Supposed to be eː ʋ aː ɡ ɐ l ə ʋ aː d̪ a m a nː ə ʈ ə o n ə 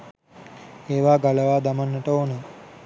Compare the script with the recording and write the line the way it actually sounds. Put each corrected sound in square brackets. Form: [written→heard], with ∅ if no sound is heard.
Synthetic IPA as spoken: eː ʋ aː ɡ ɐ l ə ʋ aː d̪ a m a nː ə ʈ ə o n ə